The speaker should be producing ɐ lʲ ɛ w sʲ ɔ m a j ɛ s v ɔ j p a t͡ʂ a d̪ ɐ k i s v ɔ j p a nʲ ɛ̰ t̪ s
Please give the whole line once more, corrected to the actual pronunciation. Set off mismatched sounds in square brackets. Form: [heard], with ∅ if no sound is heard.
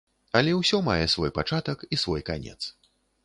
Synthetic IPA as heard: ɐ lʲ ɛ w sʲ ɔ m a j ɛ s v ɔ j p a t͡ʂ a [t̪] ɐ k i s v ɔ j [k] a nʲ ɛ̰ t̪ s

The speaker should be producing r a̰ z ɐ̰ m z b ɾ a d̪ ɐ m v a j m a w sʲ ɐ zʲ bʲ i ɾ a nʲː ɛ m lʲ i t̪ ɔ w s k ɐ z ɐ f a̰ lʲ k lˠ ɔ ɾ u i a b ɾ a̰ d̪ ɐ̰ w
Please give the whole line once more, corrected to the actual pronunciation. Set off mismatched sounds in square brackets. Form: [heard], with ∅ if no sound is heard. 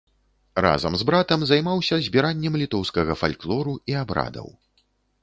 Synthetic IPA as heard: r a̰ z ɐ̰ m z b ɾ a [t̪] ɐ m [z] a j m a w sʲ ɐ zʲ bʲ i ɾ a nʲː ɛ m lʲ i t̪ ɔ w s k ɐ [ɣ] ɐ f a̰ lʲ k lˠ ɔ ɾ u i a b ɾ a̰ d̪ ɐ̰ w

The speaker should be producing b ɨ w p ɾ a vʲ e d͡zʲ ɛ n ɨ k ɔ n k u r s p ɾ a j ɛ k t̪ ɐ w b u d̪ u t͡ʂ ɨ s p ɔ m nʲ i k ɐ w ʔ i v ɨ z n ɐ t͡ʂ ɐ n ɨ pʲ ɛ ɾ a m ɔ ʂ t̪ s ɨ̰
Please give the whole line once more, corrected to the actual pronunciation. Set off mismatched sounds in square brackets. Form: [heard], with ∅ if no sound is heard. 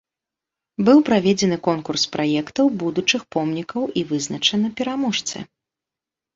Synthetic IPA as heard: b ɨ w p ɾ a vʲ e d͡zʲ ɛ n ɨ k ɔ n k u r s p ɾ a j ɛ k t̪ ɐ w b u d̪ u t͡ʂ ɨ [x] p ɔ m nʲ i k ɐ w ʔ i v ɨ z n ɐ t͡ʂ ɐ n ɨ pʲ ɛ ɾ a m ɔ ʂ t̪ s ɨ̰

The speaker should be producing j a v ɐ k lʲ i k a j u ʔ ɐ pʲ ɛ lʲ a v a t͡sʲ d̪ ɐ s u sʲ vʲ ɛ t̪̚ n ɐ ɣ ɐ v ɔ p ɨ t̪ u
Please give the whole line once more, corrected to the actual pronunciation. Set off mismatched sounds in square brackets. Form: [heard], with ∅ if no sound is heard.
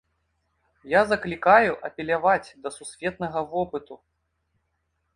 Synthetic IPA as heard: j a [z] ɐ k lʲ i k a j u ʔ ɐ pʲ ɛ lʲ a v a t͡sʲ d̪ ɐ s u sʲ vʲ ɛ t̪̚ n ɐ ɣ ɐ v ɔ p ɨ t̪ u

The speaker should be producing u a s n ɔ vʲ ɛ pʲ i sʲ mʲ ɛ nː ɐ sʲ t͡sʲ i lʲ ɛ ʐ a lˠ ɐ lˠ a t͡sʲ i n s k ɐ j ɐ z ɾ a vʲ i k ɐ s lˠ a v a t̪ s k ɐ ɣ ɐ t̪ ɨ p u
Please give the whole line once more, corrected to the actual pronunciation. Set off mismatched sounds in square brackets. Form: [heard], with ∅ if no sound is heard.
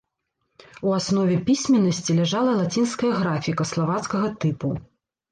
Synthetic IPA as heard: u a s n ɔ vʲ ɛ pʲ i sʲ mʲ ɛ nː ɐ sʲ t͡sʲ i lʲ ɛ ʐ a lˠ ɐ lˠ a t͡sʲ i n s k ɐ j ɐ [ɣ] ɾ a [fʲ] i k ɐ s lˠ a v a t̪ s k ɐ ɣ ɐ t̪ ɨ p u

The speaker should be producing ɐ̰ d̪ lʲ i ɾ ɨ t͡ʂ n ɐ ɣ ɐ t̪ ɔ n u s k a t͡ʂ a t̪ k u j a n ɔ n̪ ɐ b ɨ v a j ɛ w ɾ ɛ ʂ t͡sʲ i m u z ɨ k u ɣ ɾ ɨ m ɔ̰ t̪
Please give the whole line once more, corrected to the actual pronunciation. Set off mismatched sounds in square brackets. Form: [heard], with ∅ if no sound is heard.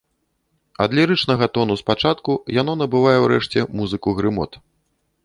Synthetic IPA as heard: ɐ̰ d̪ lʲ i ɾ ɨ t͡ʂ n ɐ ɣ ɐ t̪ ɔ n u s [p] a t͡ʂ a t̪ k u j a n ɔ n̪ ɐ b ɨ v a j ɛ w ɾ ɛ ʂ t͡sʲ [ɛ] m u z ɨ k u ɣ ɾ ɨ m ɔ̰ t̪

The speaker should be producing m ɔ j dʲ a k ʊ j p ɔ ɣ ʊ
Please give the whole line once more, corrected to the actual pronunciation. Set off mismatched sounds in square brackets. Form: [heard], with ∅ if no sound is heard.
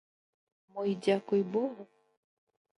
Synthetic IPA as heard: m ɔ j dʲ a k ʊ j [b] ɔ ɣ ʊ

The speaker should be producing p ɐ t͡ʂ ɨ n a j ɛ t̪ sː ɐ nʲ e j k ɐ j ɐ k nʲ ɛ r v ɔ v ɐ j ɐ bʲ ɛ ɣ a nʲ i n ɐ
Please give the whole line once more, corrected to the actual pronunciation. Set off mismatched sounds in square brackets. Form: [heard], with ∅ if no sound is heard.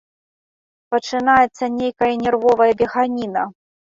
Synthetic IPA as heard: p ɐ t͡ʂ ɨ n a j ɛ t̪ sː ɐ nʲ e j k ɐ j ɐ [∅] nʲ ɛ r v ɔ v ɐ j ɐ bʲ ɛ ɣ a nʲ i n ɐ

